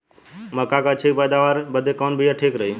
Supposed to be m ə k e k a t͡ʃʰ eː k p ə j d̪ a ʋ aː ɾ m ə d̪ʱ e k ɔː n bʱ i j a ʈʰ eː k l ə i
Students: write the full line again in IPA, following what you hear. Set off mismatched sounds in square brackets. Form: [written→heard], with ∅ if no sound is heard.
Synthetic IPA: m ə k [e→a] k a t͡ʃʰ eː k p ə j d̪ a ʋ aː ɾ [m→b] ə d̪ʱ e k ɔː n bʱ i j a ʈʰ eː k [l→ɾ] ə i